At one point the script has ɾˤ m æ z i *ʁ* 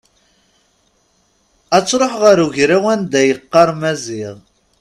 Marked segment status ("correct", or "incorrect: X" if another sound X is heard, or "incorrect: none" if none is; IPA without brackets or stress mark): correct